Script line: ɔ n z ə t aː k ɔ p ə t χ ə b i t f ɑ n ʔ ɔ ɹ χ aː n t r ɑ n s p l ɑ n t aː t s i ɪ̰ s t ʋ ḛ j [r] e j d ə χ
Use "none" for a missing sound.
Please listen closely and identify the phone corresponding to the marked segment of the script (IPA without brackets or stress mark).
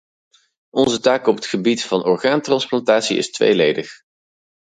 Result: l